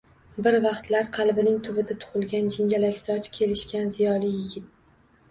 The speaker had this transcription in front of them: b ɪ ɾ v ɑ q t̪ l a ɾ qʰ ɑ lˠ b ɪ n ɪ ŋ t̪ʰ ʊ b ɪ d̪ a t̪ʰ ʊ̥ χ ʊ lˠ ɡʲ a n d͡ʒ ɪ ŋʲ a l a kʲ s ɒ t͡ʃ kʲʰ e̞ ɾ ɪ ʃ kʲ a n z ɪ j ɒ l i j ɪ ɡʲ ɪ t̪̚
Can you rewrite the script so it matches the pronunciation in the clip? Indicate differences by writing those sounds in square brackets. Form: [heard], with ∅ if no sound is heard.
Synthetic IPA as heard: b ɪ ɾ v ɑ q t̪ l a ɾ qʰ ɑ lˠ b ɪ n ɪ ŋ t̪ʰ ʊ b ɪ d̪ a t̪ʰ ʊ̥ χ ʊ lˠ ɡʲ a n d͡ʒ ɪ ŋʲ a l a kʲ s ɒ t͡ʃ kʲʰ e̞ [l] ɪ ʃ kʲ a n z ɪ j ɒ l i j ɪ ɡʲ ɪ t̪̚